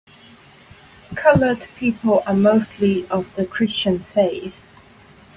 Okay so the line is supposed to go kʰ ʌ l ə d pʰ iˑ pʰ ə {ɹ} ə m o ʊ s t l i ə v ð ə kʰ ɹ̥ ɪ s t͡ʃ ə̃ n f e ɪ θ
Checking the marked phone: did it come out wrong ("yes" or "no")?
yes